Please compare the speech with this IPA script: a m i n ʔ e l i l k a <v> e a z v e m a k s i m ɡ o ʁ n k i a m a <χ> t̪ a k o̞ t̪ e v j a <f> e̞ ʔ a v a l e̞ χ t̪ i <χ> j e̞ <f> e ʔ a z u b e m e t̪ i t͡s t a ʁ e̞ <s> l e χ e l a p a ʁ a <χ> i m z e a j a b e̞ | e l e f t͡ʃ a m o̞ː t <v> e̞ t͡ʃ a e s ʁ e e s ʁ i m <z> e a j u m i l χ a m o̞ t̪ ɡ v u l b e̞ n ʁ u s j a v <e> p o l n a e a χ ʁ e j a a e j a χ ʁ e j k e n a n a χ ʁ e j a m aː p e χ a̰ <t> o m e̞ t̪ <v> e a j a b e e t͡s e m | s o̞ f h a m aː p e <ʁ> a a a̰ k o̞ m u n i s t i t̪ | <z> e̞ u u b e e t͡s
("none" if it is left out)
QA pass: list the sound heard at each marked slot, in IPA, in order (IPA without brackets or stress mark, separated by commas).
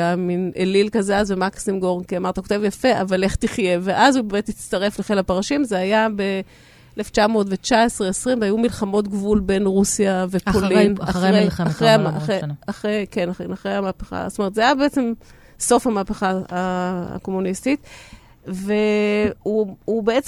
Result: z, ʁ, f, χ, v, f, ʃ, v, v, e, t, z, χ, v